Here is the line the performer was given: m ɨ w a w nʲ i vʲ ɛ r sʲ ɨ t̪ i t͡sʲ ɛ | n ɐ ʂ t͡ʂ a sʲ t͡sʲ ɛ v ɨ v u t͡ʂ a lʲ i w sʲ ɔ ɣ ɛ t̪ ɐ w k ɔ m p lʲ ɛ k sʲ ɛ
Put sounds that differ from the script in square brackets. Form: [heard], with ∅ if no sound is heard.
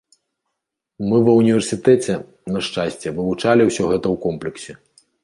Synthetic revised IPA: m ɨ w [ɐ] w nʲ i vʲ ɛ r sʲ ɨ t̪ [ɛ] t͡sʲ ɛ | n ɐ ʂ t͡ʂ a sʲ t͡sʲ ɛ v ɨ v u t͡ʂ a lʲ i w sʲ ɔ ɣ ɛ t̪ ɐ w k ɔ m p lʲ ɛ k sʲ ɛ

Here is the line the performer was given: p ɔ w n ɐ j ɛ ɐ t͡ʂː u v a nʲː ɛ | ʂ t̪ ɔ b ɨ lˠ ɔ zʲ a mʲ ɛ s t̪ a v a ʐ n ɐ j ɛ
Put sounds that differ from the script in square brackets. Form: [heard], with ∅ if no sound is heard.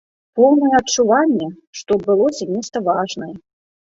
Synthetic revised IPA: p ɔ w n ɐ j ɛ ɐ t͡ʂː u v a nʲː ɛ | ʂ t̪ ɔ b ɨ lˠ ɔ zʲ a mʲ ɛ s t̪ [ɐ] v a ʐ n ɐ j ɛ

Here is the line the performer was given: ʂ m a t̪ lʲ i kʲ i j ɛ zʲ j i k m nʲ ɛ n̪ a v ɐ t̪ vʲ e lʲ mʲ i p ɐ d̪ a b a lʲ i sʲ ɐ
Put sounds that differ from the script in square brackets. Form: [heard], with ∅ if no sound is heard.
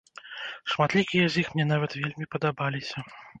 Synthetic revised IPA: ʂ m a t̪ lʲ i kʲ i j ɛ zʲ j i [x] m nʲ ɛ n̪ a v ɐ t̪ vʲ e lʲ mʲ i p ɐ d̪ a b a lʲ i sʲ ɐ

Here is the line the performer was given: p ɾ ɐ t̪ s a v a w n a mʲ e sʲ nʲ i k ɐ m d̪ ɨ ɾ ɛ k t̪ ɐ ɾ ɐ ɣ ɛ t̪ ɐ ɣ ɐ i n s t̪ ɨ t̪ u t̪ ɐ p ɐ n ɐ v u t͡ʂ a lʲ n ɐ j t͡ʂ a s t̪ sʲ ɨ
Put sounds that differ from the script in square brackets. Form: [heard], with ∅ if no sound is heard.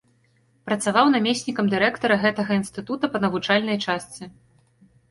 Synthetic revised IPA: p ɾ ɐ t̪ s a v a w n a mʲ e sʲ nʲ i k ɐ m d̪ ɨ ɾ ɛ k t̪ ɐ ɾ ɐ ɣ ɛ t̪ ɐ ɣ ɐ i n s t̪ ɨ t̪ u t̪ ɐ p ɐ n ɐ v u t͡ʂ a lʲ n ɐ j t͡ʂ a s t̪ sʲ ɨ

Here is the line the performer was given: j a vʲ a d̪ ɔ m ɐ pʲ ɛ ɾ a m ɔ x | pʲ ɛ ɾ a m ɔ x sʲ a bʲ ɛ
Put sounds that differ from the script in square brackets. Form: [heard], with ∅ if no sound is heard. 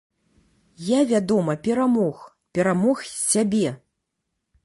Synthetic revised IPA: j a vʲ a d̪ ɔ m ɐ pʲ ɛ ɾ a m ɔ x | pʲ ɛ ɾ a m ɔ x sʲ a bʲ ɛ

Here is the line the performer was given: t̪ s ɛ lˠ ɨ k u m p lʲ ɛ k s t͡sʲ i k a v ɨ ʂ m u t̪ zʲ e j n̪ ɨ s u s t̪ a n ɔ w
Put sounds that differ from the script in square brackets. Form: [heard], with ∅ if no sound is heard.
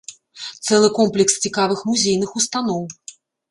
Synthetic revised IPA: t̪ s ɛ lˠ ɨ k [ɔ] m p lʲ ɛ k s t͡sʲ i k a v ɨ [x] m u [∅] zʲ e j n̪ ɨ [x] u s t̪ a n ɔ w

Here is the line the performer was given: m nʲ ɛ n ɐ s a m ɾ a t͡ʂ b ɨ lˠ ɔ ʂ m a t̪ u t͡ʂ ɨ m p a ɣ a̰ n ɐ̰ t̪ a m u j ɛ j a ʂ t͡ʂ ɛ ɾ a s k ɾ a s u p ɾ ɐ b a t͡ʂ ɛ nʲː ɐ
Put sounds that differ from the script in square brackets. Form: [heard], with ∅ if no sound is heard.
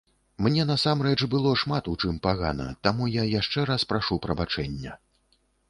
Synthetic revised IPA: m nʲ ɛ n ɐ s a m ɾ [ɛ] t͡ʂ b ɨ lˠ ɔ ʂ m a t̪ u t͡ʂ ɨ m p a ɣ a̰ n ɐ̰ t̪ a m u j [a] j a ʂ t͡ʂ ɛ ɾ a s [p] ɾ a [ʂ] u p ɾ ɐ b a t͡ʂ ɛ nʲː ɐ

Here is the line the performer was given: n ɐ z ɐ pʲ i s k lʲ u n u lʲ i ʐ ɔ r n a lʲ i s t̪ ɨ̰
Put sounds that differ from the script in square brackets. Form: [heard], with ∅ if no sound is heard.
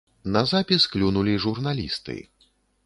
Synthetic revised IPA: n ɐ z [a] pʲ i s k lʲ u n u lʲ i ʐ [u] r n a lʲ i s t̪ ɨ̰

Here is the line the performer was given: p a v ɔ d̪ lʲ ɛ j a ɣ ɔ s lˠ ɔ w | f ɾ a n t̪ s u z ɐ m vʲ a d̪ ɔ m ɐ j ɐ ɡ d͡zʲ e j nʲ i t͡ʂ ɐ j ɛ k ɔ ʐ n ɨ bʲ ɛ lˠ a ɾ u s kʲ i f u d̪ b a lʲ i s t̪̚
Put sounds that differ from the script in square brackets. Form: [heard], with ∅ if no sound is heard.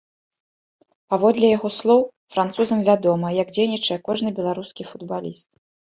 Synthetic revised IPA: p a v ɔ d̪ lʲ ɛ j a ɣ ɔ s lˠ ɔ w | f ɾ a n t̪ s u z ɐ m vʲ a d̪ ɔ m ɐ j ɐ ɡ d͡zʲ e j nʲ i t͡ʂ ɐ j ɛ k ɔ ʐ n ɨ bʲ ɛ lˠ a ɾ u s kʲ i f u d̪ b a lʲ i s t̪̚

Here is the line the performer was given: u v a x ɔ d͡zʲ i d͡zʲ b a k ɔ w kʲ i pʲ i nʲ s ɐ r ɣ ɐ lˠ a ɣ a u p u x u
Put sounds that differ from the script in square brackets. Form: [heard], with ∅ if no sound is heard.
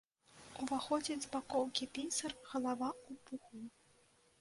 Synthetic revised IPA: u v a x ɔ d͡zʲ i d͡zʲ b a k ɔ w kʲ i pʲ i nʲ s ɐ r ɣ ɐ lˠ a [v] a u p u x u

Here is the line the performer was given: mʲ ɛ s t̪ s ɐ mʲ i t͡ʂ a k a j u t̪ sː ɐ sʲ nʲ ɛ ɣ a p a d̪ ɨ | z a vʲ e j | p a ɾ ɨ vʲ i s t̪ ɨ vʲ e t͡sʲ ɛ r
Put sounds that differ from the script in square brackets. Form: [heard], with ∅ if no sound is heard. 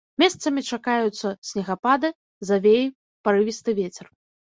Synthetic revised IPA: mʲ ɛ s t̪ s ɐ mʲ i t͡ʂ a k a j u t̪ sː ɐ sʲ nʲ ɛ ɣ a p a d̪ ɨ | z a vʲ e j | p a ɾ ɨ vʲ i s t̪ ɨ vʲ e t͡sʲ ɛ r

